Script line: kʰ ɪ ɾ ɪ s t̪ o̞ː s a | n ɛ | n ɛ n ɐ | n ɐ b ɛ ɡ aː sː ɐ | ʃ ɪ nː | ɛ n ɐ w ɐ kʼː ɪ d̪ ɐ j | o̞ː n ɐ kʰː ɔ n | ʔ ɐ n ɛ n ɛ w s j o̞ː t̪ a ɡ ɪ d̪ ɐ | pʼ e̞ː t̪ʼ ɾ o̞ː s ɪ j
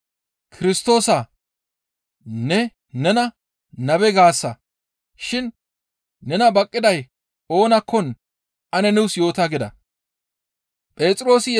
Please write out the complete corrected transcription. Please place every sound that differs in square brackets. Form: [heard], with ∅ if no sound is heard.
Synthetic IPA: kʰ ɪ ɾ ɪ s t̪ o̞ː s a | n ɛ | n ɛ n ɐ | n ɐ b ɛ ɡ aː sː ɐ | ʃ ɪ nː | ɛ n ɐ [b] ɐ kʼː ɪ d̪ ɐ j | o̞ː n ɐ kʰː ɔ n | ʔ ɐ n ɛ n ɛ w s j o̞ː t̪ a ɡ ɪ d̪ ɐ | pʼ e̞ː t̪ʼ ɾ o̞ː s ɪ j